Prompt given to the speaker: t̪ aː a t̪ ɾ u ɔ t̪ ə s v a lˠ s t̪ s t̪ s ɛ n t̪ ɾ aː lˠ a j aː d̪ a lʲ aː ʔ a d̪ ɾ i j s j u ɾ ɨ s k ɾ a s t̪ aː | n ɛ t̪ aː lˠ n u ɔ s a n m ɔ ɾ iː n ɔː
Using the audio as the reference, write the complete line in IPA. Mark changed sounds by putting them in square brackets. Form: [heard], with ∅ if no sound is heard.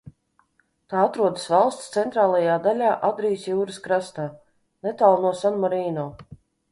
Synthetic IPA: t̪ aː a t̪ ɾ u ɔ [d̪] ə s v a lˠ s t̪ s t̪ s ɛ n t̪ ɾ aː lˠ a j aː d̪ a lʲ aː ʔ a d̪ ɾ i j s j [uː] ɾ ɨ s k ɾ a s t̪ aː | n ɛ t̪ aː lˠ n u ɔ s a n m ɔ ɾ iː n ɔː